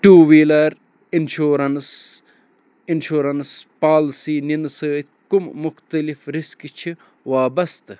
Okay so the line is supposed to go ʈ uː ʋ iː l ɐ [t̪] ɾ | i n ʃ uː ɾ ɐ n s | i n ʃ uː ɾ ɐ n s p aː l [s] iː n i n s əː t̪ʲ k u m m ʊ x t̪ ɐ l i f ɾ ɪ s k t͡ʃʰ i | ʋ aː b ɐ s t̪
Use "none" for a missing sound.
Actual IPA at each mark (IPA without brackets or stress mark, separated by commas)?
none, s